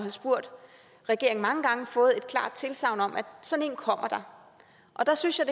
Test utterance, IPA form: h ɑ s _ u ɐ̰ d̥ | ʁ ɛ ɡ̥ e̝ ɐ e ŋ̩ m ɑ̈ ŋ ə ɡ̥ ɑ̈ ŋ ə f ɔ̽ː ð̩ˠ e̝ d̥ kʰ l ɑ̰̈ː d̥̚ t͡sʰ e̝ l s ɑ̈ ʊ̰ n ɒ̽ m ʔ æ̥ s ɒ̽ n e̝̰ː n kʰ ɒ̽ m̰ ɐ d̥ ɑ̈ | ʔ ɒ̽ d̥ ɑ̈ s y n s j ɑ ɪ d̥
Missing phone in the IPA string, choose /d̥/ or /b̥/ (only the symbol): b̥